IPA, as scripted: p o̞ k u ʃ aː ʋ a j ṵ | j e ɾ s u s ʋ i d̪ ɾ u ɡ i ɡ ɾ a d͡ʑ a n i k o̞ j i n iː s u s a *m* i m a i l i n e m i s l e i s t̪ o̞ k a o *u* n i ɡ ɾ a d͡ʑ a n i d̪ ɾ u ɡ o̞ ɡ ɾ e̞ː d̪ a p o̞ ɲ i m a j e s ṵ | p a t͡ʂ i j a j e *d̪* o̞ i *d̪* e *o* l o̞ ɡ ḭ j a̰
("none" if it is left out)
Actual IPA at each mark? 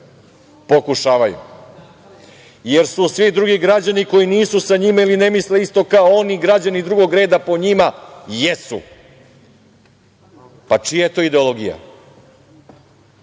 ɲ, o, t̪, d̪, o

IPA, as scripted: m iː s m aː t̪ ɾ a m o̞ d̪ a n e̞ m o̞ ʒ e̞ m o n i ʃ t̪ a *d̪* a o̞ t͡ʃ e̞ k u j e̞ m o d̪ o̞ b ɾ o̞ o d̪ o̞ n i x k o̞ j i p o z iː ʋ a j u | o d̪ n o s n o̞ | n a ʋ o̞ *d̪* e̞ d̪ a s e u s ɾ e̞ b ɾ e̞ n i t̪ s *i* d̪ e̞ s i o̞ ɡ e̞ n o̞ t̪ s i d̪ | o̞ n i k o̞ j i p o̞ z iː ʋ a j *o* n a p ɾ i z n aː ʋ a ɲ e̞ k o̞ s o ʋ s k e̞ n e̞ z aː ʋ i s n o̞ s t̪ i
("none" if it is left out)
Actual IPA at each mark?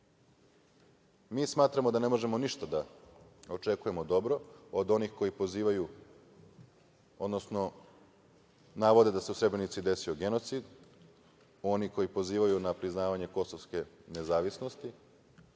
d̪, d̪, i, u

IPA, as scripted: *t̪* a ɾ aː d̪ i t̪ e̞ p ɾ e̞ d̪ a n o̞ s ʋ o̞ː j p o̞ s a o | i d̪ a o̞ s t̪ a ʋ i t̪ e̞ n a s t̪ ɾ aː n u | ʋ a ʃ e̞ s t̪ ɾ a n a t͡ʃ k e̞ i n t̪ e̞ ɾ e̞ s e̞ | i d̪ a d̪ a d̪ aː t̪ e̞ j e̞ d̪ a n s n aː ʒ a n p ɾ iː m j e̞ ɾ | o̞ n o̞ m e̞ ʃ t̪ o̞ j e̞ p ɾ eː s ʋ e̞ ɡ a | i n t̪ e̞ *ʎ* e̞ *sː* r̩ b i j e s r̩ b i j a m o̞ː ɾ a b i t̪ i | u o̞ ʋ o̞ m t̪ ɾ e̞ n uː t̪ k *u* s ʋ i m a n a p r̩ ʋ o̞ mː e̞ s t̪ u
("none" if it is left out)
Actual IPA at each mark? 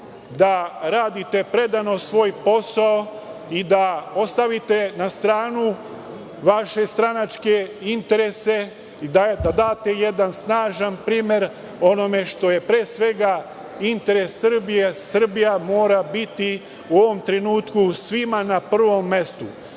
d̪, ɾ, sː, u

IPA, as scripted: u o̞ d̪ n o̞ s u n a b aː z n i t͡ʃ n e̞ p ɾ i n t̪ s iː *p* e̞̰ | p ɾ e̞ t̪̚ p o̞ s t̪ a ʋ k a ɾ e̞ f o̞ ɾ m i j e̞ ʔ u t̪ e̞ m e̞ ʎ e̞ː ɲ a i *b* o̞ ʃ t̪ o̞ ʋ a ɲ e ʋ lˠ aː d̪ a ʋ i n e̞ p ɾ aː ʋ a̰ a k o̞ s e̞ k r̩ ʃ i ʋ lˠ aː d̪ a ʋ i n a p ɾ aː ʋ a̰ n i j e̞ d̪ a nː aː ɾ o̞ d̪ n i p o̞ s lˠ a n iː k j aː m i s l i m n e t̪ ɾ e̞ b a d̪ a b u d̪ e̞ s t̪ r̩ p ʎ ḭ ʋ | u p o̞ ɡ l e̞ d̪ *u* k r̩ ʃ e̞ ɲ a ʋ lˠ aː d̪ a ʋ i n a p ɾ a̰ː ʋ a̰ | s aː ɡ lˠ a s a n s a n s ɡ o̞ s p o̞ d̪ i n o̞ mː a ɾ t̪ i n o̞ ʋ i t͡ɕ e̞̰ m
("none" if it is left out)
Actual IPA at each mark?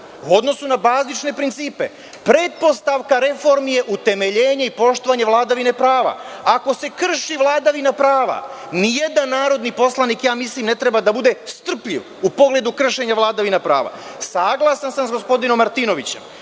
p, p, u

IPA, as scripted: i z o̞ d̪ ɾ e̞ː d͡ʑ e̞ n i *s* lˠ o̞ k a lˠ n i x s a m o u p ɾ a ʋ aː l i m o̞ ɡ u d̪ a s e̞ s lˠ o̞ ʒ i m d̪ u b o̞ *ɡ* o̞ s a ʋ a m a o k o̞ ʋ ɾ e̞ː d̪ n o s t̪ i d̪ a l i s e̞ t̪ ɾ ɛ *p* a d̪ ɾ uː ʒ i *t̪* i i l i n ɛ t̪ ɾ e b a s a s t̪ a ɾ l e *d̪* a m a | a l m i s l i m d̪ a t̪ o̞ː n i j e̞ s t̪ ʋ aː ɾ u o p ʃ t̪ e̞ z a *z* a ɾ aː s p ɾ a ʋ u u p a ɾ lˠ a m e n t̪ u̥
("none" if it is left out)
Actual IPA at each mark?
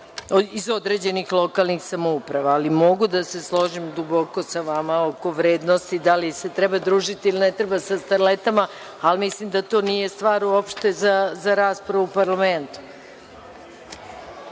x, k, b, t̪, t̪, z

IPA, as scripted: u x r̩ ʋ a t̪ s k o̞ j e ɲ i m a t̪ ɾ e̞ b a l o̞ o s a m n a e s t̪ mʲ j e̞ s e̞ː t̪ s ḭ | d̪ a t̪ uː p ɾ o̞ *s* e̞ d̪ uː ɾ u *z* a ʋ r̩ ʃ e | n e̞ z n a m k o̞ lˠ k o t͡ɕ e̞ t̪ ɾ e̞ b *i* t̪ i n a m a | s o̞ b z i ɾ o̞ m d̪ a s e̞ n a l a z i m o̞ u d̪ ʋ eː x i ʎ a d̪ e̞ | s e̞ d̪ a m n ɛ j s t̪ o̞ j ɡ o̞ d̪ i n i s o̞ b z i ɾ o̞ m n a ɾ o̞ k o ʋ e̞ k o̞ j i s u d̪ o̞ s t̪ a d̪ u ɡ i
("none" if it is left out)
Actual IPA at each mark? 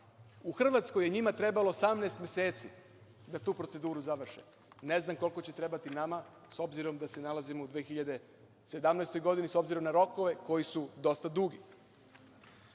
s, z, a

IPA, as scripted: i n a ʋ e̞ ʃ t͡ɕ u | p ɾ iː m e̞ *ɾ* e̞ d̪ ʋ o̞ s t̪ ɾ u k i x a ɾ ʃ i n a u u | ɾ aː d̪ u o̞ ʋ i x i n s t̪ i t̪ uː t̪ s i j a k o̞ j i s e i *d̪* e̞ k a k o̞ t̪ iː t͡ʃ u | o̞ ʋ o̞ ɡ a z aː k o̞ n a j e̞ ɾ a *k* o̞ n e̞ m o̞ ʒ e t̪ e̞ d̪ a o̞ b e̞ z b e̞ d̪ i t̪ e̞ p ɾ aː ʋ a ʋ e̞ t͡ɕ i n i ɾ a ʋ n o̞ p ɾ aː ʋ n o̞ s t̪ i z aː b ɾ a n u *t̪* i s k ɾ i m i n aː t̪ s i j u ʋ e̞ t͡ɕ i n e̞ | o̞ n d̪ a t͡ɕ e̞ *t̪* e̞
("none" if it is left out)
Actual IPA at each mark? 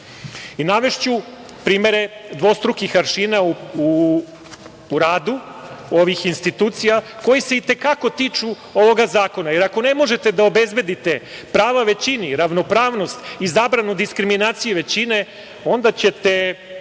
ɾ, t̪, k, d̪, t̪

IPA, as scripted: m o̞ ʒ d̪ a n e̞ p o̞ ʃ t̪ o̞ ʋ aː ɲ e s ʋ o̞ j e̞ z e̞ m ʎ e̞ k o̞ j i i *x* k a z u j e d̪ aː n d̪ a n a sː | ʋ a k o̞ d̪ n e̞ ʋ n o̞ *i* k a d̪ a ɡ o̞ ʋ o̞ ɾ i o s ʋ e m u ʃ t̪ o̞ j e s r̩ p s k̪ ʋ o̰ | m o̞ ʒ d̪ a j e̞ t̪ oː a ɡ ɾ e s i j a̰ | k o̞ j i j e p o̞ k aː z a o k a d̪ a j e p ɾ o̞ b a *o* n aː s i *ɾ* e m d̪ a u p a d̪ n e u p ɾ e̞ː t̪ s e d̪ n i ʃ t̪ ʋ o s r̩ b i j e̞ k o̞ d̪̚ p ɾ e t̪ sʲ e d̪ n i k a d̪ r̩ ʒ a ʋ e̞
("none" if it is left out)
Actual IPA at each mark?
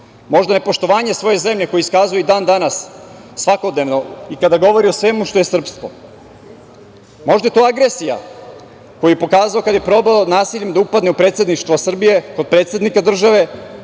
s, i, o, ʎ

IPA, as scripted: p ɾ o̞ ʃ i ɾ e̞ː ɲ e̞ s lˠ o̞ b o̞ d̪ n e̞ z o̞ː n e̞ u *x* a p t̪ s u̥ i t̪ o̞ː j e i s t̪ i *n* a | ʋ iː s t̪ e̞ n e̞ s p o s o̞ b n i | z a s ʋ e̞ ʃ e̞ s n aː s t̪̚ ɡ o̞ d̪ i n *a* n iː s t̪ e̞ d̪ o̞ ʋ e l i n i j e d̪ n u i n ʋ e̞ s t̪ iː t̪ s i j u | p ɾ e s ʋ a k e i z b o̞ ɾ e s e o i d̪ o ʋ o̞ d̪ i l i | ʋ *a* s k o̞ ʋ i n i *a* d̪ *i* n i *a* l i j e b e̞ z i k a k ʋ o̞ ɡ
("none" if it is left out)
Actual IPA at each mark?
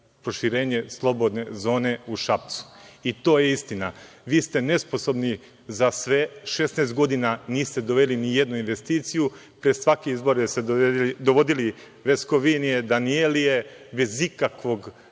ʃ, n, a, e, e, a, e

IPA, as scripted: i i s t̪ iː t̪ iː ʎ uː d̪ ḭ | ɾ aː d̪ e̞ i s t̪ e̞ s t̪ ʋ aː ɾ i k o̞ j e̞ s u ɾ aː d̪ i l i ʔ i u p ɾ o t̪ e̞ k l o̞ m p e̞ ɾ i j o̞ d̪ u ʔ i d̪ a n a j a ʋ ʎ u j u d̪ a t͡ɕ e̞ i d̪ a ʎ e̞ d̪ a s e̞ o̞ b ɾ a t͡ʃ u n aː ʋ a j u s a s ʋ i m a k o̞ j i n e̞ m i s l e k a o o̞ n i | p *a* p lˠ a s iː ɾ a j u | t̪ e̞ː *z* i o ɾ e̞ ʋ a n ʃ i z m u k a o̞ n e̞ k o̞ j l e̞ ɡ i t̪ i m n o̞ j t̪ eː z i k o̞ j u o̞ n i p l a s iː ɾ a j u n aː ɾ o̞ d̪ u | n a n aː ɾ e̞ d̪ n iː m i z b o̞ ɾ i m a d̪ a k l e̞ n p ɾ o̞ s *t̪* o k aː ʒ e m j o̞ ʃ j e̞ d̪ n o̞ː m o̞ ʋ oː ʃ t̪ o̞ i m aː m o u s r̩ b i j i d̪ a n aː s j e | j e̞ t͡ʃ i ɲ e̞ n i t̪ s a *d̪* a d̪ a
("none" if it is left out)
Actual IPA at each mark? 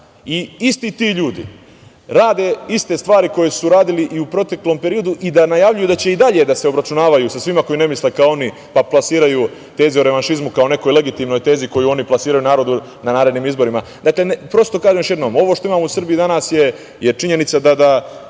a, z, t̪, d̪

